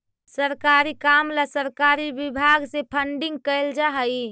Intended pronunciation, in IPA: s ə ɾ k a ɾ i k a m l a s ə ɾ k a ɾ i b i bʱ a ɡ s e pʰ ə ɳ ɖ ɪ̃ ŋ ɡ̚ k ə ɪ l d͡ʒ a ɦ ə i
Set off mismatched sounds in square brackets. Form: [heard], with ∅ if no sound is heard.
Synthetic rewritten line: s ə ɾ k a ɾ i k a m l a s ə ɾ k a ɾ i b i bʱ a ɡ s e pʰ ə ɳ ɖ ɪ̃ ŋ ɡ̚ k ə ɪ l d͡ʒ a ɦ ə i